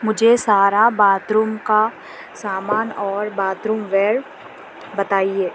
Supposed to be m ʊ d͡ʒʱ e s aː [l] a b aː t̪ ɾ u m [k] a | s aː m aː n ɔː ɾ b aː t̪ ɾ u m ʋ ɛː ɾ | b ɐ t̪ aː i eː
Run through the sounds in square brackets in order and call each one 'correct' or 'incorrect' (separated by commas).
incorrect, correct